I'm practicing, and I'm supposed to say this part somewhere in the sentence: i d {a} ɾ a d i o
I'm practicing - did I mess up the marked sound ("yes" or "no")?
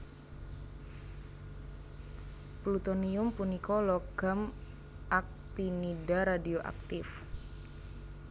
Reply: no